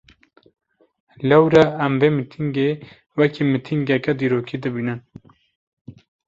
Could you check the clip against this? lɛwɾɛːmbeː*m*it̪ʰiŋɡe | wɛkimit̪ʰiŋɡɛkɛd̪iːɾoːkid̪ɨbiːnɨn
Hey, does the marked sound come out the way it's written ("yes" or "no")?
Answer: yes